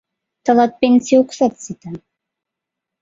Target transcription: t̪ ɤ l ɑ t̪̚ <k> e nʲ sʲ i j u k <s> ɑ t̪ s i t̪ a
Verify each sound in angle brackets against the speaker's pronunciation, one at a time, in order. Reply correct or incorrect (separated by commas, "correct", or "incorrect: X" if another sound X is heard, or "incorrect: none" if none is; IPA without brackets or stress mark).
incorrect: p, correct